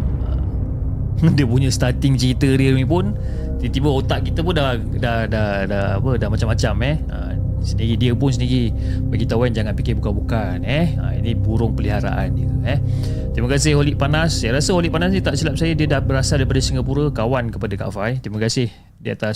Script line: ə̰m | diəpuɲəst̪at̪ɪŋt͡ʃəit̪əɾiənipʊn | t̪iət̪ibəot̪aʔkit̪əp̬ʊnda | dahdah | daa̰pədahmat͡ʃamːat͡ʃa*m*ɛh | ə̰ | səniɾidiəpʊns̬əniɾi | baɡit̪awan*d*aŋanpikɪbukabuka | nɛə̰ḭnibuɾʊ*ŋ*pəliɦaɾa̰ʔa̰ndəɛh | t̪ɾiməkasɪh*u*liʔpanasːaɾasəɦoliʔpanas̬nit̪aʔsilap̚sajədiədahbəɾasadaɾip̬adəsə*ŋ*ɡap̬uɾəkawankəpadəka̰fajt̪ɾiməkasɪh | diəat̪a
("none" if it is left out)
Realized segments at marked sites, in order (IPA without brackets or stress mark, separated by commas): m, d͡ʒ, ŋ, o, ŋ